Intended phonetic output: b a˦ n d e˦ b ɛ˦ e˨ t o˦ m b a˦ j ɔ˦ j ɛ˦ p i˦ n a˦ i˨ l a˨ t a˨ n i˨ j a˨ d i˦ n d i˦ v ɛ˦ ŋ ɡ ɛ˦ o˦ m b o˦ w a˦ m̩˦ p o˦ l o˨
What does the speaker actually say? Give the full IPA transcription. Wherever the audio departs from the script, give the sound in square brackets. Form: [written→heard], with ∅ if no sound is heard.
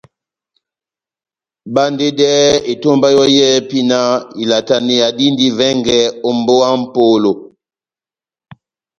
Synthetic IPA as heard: b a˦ n d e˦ [b→d] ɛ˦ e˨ t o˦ m b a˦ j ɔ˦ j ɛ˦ p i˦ n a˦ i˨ l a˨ t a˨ n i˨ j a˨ d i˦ n d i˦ v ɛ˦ ŋ ɡ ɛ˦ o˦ m b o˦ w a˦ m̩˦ p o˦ l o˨

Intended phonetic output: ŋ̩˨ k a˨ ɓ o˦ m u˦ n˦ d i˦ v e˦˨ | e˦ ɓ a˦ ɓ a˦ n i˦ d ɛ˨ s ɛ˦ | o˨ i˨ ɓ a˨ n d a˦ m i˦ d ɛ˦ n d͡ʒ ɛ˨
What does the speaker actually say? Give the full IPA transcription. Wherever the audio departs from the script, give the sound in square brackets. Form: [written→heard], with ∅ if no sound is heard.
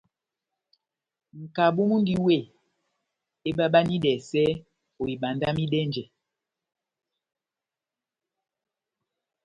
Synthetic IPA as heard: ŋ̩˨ k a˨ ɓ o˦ m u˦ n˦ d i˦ [v→w] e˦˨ | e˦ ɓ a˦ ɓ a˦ n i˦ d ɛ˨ s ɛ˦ | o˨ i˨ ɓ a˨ n d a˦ m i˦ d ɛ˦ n d͡ʒ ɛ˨

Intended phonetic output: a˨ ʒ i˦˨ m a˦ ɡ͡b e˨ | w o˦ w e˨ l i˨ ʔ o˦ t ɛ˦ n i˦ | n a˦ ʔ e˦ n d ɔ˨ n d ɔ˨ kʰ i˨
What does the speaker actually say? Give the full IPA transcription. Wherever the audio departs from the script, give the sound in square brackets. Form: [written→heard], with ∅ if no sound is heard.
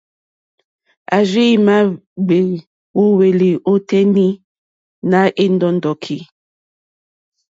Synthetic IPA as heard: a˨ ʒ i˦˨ m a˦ ɡ͡b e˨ | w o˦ w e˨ l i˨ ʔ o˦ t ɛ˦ n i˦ | n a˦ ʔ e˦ n d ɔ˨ n d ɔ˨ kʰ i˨

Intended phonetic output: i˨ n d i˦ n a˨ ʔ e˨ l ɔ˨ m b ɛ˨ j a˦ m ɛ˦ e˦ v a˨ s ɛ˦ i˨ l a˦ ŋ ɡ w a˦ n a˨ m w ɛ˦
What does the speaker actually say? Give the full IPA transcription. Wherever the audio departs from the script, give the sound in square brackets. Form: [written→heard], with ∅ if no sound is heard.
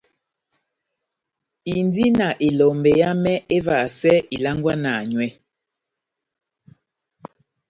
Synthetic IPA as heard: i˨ n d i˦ n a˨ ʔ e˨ l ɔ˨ m b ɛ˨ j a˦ m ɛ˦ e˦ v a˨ s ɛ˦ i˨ l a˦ ŋ ɡ w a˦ n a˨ [m→ɲ] w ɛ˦

